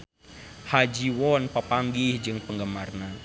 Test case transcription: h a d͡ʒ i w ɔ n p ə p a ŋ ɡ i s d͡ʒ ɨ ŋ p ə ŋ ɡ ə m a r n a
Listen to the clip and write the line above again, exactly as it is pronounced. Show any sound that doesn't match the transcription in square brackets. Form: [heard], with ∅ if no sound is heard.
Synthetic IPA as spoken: h a d͡ʒ i w ɔ n p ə p a ŋ ɡ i [h] d͡ʒ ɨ ŋ p ə ŋ ɡ ə m a r n a